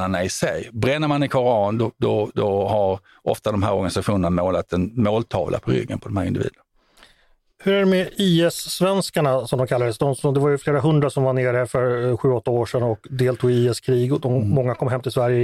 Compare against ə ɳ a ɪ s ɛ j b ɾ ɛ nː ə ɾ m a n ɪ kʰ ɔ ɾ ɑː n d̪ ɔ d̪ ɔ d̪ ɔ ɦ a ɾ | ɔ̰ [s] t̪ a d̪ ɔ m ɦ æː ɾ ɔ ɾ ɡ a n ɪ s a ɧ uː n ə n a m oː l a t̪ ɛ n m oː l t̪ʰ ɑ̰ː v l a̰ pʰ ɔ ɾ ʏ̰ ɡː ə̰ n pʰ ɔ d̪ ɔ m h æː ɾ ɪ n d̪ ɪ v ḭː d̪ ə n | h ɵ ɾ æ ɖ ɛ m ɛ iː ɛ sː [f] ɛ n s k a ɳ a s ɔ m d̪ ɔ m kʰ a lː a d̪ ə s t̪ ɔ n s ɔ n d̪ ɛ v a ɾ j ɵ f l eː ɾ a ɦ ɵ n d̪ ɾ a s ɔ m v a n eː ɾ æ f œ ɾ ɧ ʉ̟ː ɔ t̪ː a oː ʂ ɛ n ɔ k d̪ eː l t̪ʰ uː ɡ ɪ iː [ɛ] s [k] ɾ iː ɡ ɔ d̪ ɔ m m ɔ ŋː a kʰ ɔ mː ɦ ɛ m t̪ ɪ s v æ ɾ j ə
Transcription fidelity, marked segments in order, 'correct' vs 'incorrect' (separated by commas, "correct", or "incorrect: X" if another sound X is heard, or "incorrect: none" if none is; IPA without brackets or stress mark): incorrect: f, incorrect: v, correct, incorrect: kʰ